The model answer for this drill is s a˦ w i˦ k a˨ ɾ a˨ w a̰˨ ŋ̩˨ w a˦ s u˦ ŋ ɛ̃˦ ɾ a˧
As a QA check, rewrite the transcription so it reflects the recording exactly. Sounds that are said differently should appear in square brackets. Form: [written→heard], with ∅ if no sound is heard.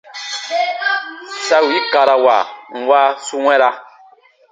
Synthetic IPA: s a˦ w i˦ k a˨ ɾ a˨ w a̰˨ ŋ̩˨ w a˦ s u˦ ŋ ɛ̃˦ ɾ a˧